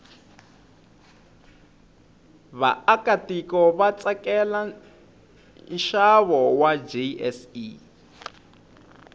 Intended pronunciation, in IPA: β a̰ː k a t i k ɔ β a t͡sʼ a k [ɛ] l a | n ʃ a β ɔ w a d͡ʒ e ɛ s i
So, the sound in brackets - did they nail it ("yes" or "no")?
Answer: yes